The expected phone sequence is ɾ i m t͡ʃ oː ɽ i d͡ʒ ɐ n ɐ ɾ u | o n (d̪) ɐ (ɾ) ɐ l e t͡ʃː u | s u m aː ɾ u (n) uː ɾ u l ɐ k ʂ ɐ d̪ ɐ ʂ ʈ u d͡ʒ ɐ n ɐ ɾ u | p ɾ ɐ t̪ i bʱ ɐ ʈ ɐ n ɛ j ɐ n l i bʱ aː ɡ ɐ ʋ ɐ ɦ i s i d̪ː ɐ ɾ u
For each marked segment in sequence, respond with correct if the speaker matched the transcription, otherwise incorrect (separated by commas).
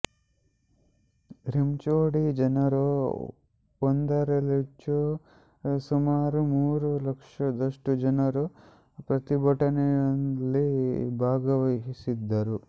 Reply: correct, correct, incorrect